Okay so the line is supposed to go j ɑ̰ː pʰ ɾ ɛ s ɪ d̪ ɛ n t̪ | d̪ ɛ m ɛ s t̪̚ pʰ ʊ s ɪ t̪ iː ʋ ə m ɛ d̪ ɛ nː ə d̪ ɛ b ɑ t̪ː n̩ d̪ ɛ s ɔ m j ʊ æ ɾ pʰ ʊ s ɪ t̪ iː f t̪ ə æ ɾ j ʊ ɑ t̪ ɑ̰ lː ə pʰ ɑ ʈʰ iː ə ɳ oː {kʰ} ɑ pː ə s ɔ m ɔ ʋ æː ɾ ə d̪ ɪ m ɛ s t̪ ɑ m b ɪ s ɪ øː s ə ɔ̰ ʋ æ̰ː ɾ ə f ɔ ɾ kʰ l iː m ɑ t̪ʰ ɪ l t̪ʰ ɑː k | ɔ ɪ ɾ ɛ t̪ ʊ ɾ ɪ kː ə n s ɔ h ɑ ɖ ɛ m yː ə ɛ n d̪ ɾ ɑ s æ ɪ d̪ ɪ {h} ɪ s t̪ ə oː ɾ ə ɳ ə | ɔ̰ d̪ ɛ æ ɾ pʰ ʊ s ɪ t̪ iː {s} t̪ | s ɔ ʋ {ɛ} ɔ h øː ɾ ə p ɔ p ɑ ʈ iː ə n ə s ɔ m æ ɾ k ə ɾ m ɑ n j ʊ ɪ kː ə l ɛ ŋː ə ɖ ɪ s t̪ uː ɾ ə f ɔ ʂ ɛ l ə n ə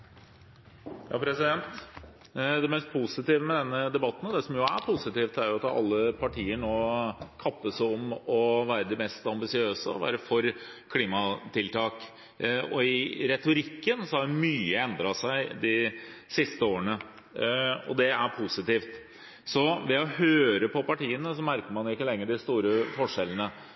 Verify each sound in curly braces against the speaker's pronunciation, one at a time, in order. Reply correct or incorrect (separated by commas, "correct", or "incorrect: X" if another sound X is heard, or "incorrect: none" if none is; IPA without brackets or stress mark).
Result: correct, incorrect: s, incorrect: f, correct